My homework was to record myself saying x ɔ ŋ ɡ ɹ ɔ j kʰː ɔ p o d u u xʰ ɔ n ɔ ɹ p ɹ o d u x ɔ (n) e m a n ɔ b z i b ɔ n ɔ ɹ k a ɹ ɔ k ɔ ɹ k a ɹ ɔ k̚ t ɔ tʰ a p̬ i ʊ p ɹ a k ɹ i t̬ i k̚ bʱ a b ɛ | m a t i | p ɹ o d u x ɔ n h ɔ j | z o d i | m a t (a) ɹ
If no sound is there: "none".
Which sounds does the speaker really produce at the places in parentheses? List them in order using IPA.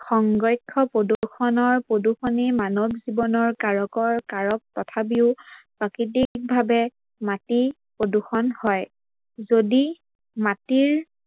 n, i

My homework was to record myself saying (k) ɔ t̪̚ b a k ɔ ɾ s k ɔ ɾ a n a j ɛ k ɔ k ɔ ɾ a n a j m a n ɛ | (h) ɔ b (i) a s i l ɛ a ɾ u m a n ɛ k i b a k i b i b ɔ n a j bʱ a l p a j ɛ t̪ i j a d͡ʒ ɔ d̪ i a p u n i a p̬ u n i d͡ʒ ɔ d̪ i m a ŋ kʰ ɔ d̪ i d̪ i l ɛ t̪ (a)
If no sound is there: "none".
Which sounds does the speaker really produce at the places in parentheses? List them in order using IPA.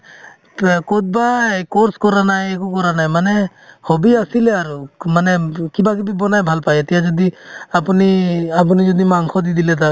k, h, i, a

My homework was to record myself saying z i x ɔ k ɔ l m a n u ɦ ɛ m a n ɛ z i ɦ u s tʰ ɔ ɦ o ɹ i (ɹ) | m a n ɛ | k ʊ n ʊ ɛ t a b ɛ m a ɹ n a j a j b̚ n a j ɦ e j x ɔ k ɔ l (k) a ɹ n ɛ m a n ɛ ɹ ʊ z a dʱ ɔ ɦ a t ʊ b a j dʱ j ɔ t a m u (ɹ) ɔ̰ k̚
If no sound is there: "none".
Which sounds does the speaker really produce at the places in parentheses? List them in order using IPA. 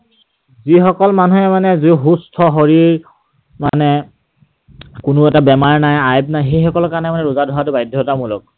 ɹ, k, l

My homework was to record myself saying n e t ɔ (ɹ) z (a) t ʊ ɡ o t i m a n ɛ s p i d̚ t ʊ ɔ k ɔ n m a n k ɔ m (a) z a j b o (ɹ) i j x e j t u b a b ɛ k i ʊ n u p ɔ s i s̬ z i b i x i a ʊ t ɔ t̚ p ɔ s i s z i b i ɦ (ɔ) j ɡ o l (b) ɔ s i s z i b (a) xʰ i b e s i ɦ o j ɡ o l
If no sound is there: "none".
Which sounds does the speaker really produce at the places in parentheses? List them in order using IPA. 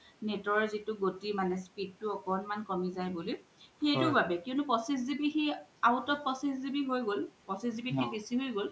ɹ, i, i, l, o, p, i

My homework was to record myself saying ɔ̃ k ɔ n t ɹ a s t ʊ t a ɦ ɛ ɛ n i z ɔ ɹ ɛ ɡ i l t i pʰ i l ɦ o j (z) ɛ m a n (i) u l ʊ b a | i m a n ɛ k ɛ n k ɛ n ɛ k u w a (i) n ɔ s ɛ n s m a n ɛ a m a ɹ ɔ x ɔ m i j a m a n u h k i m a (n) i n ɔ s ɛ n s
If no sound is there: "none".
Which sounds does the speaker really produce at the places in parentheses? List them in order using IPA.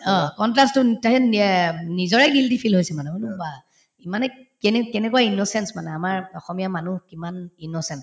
s, ɛ, i, n

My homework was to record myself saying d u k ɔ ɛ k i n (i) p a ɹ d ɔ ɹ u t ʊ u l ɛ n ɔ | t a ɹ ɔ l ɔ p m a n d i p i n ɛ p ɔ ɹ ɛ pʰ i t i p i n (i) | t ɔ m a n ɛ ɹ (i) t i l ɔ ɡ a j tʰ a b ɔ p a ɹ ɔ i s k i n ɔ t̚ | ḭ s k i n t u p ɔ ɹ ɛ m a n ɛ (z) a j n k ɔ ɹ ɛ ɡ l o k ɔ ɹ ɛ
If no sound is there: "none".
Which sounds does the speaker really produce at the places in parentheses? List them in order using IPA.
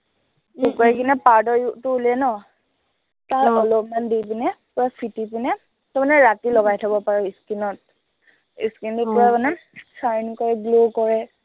ɛ, ɛ, a, s

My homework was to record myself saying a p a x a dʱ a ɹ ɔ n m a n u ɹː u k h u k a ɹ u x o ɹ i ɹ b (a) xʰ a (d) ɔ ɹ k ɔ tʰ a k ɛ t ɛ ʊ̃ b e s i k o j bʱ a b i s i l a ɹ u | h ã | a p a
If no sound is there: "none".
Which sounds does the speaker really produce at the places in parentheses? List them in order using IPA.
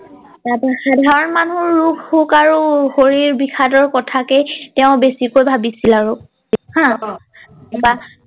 i, d

